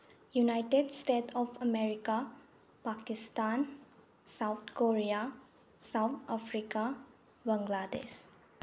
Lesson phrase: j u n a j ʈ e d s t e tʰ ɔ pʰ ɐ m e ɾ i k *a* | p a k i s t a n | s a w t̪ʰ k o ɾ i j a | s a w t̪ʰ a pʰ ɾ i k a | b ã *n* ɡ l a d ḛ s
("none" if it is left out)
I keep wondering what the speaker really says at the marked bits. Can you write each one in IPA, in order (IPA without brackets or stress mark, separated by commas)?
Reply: a, ŋ